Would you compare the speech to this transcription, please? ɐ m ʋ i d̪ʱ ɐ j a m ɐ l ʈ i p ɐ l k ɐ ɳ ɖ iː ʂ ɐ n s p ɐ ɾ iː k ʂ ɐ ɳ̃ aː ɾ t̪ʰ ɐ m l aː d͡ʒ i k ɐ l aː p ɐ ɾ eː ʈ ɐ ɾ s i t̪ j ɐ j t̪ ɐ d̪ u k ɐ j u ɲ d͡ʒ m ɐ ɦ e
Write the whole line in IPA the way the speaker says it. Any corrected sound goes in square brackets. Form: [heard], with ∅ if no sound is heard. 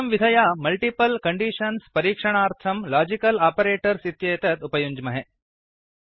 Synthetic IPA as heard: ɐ m ʋ i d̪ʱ ɐ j a m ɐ l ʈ i p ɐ l k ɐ ɳ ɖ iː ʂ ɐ n s p ɐ ɾ iː k ʂ ɐ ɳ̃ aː ɾ t̪ʰ ɐ m l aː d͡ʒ i k ɐ l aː p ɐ ɾ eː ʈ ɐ ɾ s i t̪ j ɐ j t̪ ɐ [t̪] u [p] ɐ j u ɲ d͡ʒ m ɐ ɦ e